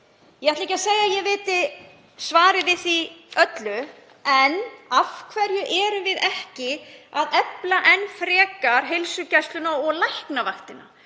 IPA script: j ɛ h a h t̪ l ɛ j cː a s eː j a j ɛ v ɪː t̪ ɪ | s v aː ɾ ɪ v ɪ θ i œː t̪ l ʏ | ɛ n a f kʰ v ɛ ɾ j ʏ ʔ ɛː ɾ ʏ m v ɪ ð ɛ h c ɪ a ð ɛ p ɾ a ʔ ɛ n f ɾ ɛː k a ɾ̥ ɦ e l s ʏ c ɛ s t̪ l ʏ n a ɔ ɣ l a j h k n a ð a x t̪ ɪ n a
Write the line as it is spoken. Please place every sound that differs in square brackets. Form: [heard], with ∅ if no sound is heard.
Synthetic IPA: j ɛ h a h t̪ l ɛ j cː a s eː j a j ɛ v ɪː t̪ ɪ | s v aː ɾ ɪ v ɪ θ i [œ] t̪ l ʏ | ɛ n a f kʰ v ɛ ɾ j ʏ ʔ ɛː ɾ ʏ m v ɪ ð ɛ h c ɪ a ð ɛ p [l] a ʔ ɛ n f ɾ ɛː k a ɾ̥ ɦ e l s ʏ c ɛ s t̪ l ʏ n a ɔ ɣ l a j h k n a [v] a x t̪ ɪ n a

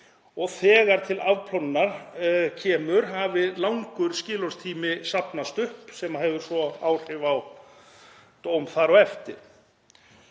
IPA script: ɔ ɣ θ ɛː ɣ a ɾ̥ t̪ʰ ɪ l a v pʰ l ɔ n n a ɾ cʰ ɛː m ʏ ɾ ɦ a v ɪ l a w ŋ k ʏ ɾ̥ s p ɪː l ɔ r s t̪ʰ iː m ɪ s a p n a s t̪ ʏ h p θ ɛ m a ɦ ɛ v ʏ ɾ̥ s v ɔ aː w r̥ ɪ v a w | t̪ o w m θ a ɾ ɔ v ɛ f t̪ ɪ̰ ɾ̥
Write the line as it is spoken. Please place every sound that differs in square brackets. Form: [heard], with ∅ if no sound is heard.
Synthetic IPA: ɔ ɣ θ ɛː ɣ a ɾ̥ t̪ʰ ɪ l a v pʰ l ɔ n n a ɾ cʰ ɛː m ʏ ɾ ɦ a v ɪ l a w ŋ k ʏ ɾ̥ s [c] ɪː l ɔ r s t̪ʰ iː m ɪ s a p n a s t̪ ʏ h p [s] ɛ m a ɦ ɛ v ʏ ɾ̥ s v ɔ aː w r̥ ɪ v a w | t̪ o w m θ a ɾ ɔ [ɣ] ɛ f t̪ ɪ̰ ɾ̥

